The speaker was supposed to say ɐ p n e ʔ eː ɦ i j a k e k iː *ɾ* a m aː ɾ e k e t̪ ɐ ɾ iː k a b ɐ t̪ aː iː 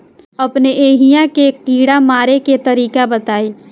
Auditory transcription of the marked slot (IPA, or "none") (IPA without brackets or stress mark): ɽ